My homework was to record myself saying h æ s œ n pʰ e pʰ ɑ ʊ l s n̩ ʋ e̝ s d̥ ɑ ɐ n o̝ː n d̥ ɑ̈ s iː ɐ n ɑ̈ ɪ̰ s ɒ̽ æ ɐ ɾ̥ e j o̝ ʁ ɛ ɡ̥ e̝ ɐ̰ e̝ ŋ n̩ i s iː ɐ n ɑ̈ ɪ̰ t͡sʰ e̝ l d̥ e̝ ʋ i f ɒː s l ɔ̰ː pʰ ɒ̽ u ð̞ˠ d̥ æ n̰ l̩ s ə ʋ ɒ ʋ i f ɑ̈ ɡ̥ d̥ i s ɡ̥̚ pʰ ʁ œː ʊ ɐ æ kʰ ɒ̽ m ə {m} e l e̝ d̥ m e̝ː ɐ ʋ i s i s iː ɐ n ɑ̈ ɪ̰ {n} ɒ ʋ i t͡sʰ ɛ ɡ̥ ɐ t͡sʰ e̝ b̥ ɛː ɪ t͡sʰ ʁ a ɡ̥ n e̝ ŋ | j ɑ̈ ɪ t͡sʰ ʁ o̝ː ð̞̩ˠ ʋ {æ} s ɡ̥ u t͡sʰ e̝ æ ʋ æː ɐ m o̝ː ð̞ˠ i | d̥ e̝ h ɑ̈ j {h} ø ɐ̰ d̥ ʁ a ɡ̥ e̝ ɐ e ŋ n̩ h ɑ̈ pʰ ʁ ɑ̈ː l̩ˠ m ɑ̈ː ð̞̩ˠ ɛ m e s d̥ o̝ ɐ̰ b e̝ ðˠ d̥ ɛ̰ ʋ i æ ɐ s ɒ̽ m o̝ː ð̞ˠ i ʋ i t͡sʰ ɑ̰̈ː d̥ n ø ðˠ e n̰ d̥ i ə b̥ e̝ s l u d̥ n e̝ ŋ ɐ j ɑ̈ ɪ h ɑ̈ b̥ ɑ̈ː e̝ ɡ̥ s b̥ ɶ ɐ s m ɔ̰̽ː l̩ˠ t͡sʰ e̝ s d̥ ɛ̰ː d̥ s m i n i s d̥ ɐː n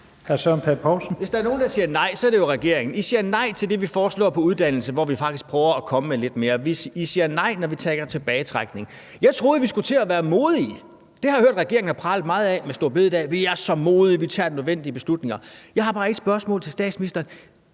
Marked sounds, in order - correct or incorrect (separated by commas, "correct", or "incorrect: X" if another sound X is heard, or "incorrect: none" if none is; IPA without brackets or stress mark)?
correct, correct, incorrect: i, correct